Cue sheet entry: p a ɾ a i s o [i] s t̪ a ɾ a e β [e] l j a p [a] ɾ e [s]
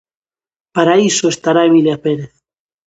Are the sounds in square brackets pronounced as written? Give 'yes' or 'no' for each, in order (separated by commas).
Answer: no, no, no, no